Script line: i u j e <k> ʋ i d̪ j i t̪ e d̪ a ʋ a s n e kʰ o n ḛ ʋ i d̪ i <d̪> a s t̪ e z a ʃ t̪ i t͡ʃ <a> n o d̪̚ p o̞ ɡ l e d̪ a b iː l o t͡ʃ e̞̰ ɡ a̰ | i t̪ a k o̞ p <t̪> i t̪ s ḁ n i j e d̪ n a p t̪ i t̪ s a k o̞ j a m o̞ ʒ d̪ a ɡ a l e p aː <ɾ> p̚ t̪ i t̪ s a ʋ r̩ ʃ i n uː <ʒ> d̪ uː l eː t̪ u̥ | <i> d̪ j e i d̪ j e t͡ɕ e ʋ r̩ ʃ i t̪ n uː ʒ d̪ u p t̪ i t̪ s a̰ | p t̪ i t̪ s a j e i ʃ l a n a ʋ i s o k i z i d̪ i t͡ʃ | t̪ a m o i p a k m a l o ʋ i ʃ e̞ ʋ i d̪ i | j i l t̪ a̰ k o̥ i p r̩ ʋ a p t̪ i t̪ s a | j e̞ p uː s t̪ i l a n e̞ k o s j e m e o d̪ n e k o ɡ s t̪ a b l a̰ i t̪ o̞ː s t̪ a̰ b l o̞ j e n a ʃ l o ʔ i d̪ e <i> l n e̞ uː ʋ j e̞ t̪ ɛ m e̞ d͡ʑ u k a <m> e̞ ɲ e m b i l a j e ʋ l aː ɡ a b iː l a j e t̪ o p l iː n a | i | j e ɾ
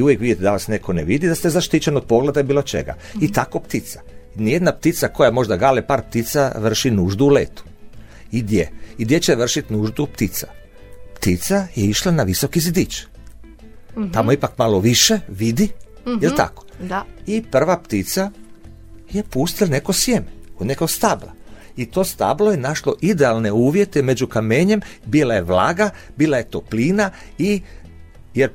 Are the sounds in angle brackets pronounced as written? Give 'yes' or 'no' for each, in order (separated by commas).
yes, yes, no, yes, yes, yes, yes, no, yes